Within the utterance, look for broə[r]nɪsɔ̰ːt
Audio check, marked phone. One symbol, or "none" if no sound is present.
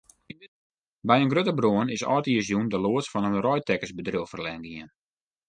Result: none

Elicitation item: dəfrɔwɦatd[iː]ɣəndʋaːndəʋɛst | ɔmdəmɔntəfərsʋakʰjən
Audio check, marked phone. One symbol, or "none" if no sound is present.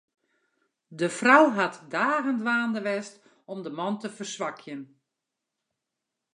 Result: aː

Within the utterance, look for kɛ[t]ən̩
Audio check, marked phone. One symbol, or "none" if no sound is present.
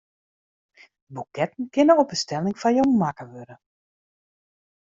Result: t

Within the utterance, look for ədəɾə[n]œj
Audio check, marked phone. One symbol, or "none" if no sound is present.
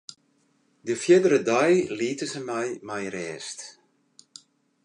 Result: d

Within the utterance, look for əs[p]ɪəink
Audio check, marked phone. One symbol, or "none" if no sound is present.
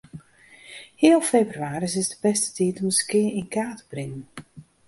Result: k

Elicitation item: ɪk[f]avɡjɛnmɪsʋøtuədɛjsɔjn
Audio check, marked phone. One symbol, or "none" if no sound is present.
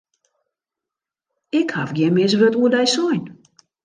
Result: h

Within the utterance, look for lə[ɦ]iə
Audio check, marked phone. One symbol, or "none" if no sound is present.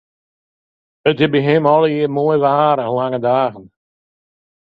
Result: none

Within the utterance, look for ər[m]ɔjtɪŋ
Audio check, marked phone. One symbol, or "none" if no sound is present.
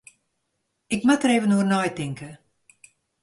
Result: n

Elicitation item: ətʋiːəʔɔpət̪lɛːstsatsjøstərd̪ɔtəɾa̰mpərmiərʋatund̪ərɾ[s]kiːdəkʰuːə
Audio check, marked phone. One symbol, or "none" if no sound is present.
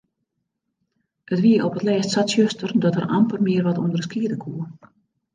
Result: s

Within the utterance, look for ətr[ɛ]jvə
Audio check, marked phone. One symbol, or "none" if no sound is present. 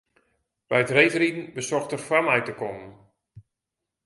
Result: e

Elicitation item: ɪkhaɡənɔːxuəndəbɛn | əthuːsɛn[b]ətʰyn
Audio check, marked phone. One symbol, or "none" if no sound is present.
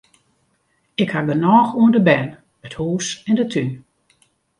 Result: d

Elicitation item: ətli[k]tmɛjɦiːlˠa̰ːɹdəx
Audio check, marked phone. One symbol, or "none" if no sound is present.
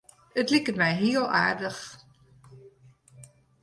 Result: k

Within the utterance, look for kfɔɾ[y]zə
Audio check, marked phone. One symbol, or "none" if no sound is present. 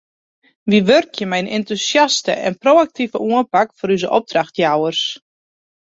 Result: y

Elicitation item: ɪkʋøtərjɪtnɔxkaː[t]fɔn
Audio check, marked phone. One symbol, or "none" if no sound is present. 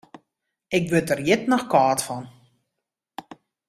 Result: t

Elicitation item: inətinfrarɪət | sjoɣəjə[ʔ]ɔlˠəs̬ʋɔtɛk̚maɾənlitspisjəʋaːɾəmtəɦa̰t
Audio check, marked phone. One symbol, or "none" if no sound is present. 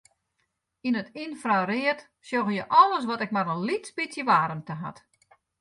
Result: ʔ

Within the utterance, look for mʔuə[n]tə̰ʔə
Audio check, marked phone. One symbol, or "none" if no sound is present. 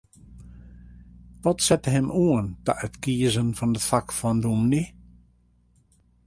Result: n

